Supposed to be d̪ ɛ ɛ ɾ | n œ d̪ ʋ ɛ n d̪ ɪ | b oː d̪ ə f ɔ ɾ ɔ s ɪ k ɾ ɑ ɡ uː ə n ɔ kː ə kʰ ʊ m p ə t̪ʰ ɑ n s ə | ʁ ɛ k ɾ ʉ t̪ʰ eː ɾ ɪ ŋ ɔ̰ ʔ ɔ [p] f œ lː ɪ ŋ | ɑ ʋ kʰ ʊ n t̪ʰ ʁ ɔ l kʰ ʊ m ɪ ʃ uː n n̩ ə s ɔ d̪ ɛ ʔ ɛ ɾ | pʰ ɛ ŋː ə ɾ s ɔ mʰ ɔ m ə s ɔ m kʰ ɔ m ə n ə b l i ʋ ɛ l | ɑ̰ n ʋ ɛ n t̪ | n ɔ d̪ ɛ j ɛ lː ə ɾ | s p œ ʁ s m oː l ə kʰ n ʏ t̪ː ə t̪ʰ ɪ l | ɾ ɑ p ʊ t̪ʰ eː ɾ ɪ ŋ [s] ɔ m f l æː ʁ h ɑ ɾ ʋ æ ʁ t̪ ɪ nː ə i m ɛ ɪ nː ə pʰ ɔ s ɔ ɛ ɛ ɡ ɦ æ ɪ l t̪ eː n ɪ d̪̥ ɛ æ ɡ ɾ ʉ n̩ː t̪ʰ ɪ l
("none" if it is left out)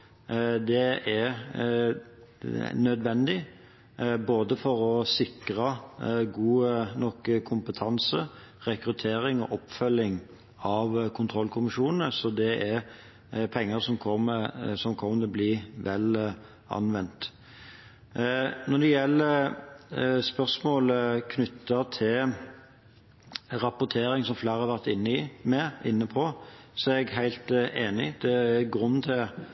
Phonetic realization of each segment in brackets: p, s

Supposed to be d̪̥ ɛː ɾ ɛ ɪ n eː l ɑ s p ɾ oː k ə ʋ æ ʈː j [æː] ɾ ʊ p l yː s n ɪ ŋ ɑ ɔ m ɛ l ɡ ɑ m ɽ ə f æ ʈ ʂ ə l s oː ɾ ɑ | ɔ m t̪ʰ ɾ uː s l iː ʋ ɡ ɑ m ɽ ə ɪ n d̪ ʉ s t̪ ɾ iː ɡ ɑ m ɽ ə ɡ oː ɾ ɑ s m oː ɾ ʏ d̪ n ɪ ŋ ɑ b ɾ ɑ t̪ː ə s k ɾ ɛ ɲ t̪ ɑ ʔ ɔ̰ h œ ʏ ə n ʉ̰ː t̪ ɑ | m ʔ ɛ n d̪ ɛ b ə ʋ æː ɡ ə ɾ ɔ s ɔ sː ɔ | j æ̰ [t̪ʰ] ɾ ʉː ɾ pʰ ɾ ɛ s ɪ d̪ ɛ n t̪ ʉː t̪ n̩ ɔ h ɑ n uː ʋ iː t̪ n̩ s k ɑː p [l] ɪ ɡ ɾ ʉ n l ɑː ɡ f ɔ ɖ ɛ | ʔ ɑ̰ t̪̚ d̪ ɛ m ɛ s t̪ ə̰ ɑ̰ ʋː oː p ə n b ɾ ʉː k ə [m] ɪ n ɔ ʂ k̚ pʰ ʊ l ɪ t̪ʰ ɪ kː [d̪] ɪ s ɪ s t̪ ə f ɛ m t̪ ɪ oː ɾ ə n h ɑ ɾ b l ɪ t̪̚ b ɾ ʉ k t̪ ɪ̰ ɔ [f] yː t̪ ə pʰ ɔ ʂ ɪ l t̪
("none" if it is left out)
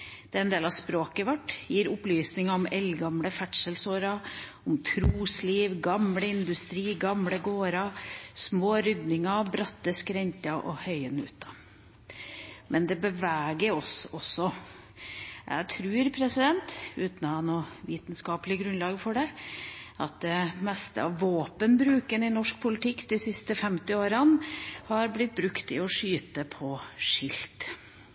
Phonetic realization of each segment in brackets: iː, t̪ʰ, l, n, d̪, ʂ

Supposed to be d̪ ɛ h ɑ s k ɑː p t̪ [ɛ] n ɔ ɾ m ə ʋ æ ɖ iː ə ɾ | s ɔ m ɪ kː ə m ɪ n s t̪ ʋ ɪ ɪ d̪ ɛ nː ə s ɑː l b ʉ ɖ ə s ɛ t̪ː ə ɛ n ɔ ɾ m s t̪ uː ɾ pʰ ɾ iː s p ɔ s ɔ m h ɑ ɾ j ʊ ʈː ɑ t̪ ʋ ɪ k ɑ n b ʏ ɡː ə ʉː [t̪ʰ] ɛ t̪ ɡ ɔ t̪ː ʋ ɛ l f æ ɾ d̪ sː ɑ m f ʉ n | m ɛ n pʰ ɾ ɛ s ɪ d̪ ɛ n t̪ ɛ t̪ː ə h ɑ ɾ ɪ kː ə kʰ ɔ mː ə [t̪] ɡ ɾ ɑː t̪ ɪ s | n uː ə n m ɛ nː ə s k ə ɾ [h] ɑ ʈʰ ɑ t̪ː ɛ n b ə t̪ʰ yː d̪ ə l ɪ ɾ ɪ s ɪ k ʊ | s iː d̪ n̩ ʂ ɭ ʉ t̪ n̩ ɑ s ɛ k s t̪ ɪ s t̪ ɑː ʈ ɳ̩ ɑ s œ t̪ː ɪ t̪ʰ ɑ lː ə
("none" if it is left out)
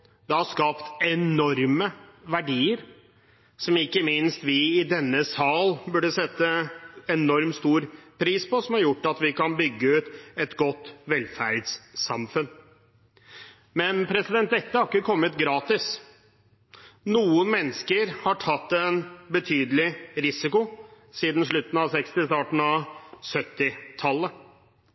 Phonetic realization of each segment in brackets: ɛ, t̪, t̪, h

